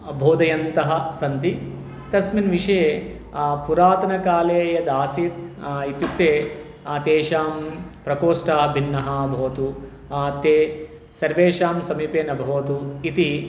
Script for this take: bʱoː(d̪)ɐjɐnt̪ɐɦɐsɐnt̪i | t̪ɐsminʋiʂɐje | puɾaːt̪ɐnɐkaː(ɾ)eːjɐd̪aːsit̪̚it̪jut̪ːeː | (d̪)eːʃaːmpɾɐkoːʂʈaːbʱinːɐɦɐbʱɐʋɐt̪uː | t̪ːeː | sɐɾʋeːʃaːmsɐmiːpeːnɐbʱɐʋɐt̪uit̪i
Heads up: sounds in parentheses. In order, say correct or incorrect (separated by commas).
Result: correct, incorrect, incorrect